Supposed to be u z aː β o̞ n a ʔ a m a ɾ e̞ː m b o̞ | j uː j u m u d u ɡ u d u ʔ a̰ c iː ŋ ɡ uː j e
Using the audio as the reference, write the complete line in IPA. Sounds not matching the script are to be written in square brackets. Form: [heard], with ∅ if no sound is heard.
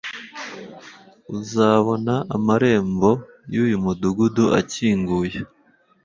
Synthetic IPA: u z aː β o̞ n a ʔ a m a ɾ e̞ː m b o̞ | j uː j u m u d u ɡ u d u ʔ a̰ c iː ŋ ɡ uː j e